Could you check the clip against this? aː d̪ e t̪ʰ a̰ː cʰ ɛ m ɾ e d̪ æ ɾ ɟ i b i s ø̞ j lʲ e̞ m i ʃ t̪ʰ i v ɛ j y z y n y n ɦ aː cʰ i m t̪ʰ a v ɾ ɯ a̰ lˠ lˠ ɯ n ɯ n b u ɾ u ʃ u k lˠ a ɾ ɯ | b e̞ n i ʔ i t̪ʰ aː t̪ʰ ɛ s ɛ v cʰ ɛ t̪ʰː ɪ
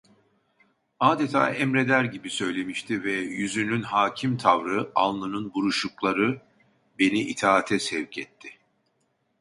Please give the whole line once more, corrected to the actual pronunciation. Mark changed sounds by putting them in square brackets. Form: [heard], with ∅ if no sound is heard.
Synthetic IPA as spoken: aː d̪ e t̪ʰ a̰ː [∅] ɛ m ɾ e d̪ æ ɾ ɟ i b i s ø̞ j lʲ e̞ m i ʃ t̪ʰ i v ɛ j y z y n y n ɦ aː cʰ i m t̪ʰ a v ɾ ɯ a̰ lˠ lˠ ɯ n ɯ n b u ɾ u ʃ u k lˠ a ɾ ɯ | b e̞ n i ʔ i t̪ʰ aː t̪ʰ ɛ s ɛ v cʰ ɛ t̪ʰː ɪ